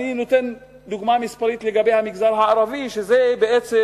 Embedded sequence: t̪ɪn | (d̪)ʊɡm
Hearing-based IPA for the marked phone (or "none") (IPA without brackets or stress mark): d̪